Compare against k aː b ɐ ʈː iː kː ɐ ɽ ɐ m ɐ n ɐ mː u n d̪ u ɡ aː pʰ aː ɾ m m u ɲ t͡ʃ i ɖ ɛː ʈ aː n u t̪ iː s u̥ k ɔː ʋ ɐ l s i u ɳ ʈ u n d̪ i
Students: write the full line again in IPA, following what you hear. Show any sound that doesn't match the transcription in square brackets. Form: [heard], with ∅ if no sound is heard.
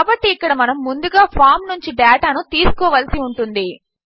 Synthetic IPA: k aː b ɐ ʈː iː kː ɐ ɽ ɐ m ɐ n ɐ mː u n d̪ u ɡ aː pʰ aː ɾ m [n] u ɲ t͡ʃ i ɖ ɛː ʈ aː n u t̪ iː s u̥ k ɔː ʋ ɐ l s i u ɳ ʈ u n d̪ i